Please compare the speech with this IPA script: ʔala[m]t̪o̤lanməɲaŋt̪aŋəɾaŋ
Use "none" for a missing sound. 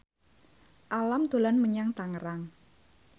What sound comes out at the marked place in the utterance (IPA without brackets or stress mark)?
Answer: m